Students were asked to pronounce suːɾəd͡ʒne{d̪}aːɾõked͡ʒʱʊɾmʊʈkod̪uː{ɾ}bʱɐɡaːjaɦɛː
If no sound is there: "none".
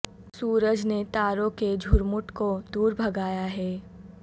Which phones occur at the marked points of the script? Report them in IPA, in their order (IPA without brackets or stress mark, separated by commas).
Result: t̪, ɾ